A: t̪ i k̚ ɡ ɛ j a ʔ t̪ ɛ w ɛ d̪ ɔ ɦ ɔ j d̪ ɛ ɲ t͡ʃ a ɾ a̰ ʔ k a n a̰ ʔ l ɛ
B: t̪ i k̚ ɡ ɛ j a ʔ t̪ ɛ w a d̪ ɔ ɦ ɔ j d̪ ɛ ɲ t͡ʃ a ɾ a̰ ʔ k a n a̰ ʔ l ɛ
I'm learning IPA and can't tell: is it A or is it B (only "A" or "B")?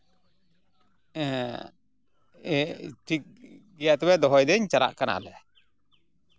A